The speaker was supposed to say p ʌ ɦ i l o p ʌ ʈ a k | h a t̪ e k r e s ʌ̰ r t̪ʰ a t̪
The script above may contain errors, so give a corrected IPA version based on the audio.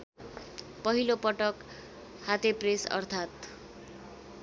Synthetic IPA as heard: p ʌ ɦ i l o p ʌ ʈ ʌ k | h a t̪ e p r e s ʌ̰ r t̪ʰ a t̪